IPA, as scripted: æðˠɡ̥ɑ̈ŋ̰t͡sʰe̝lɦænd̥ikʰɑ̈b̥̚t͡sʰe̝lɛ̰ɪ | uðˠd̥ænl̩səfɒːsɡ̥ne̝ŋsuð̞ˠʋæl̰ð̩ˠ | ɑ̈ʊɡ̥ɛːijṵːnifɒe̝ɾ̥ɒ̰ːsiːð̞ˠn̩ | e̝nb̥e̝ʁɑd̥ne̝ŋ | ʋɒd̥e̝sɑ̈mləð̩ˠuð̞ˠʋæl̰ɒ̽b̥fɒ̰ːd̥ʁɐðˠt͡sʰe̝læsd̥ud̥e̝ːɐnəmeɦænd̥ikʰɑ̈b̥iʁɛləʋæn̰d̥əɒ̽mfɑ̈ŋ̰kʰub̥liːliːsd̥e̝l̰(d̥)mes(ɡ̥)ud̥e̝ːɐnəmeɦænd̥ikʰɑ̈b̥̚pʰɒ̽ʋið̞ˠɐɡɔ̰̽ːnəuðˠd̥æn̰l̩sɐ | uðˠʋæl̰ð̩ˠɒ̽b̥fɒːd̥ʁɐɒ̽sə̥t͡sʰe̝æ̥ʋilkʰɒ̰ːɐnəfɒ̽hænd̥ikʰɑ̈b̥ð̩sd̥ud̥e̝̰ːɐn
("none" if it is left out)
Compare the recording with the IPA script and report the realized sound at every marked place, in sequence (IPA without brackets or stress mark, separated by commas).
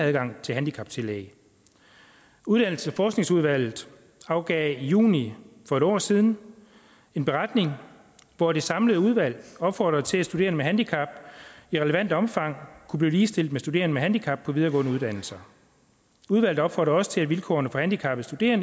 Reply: d̥, d̥